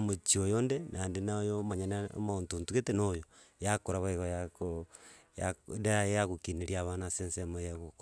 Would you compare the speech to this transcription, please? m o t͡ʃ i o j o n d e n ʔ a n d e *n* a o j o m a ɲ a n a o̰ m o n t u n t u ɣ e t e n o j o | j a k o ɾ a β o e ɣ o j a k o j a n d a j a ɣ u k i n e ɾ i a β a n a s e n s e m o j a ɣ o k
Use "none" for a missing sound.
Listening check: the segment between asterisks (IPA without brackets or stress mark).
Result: n